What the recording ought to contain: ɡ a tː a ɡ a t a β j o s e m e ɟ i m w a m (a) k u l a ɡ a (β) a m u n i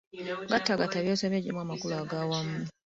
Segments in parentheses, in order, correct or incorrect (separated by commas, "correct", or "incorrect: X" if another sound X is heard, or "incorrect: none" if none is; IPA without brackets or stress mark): correct, incorrect: w